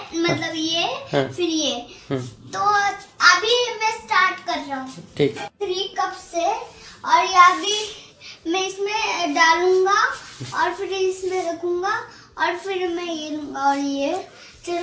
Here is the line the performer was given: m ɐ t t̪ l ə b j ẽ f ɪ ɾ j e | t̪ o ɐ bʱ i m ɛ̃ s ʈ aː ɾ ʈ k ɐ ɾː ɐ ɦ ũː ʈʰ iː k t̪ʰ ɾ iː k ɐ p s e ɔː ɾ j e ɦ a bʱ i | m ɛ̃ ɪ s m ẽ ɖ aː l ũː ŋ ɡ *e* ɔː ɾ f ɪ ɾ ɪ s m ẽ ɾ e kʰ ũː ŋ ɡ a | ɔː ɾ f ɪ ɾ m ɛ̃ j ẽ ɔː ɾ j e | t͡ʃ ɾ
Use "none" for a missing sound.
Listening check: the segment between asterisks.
a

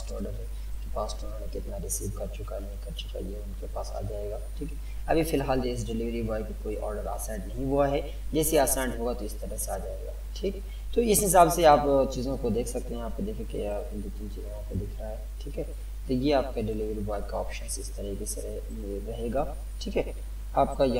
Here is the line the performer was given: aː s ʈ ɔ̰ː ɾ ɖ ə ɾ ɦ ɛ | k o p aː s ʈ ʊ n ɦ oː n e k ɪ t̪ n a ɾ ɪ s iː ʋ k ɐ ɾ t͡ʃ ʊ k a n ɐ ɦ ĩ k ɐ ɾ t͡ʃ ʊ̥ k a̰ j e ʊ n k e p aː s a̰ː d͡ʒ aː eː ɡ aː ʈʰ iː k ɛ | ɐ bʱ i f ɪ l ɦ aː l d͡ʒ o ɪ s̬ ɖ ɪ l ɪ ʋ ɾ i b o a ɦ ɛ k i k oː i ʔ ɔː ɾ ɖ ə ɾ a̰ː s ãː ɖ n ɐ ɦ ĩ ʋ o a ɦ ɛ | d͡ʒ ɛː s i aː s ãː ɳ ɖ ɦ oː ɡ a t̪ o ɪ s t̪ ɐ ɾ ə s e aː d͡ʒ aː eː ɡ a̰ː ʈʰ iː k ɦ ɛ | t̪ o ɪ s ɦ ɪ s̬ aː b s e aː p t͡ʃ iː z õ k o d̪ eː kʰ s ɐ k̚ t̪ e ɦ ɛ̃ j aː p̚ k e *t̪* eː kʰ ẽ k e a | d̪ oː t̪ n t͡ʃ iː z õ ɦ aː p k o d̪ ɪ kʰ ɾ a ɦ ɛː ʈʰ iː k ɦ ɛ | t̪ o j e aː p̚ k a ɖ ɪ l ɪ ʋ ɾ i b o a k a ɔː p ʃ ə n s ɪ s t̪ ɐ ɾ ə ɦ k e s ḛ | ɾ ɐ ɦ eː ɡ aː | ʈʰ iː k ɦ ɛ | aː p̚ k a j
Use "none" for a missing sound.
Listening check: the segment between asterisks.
d̪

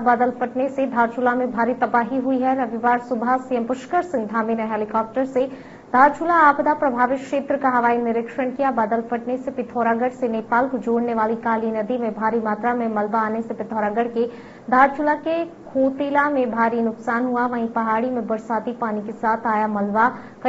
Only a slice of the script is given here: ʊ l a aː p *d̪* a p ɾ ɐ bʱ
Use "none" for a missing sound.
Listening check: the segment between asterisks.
d̪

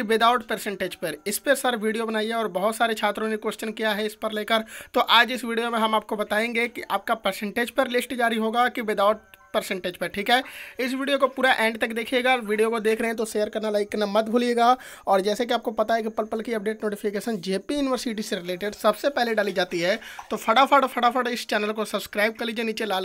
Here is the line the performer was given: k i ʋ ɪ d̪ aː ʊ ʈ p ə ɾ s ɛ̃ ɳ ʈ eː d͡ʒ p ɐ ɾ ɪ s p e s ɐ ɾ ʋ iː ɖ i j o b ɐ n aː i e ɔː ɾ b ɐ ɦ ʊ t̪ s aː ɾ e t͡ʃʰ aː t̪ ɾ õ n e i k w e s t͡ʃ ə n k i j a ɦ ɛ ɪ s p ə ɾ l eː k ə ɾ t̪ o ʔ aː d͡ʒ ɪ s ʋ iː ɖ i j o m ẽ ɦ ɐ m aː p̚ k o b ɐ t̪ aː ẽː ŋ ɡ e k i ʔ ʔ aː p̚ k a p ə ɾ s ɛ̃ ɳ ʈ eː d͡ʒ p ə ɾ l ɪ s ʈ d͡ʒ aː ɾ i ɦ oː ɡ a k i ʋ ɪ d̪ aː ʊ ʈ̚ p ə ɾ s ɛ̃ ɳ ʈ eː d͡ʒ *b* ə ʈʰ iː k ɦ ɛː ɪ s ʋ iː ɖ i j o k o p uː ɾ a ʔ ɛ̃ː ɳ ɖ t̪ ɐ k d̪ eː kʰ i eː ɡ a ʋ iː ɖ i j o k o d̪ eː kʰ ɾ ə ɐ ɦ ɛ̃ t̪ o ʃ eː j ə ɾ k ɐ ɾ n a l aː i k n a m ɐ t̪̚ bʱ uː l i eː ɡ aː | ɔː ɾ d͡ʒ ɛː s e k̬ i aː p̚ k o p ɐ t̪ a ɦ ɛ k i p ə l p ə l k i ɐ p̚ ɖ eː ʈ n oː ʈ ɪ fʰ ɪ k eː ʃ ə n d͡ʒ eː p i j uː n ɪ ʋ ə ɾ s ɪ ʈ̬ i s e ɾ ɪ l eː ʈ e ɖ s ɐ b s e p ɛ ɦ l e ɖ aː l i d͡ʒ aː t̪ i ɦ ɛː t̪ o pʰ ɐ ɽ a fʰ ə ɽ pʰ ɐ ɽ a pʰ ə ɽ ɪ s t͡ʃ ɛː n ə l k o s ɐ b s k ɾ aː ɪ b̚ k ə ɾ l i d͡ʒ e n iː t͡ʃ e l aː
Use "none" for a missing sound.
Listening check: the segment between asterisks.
p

